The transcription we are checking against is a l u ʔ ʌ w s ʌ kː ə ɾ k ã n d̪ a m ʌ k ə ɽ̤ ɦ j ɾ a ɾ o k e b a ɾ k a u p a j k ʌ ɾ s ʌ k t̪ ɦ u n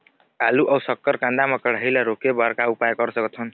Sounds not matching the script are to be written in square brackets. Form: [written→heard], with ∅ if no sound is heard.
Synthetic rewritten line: a l u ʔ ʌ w s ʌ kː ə ɾ k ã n d̪ a m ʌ k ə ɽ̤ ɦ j [ɾ→l] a ɾ o k e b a ɾ k a u p a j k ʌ ɾ s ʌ k t̪ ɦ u n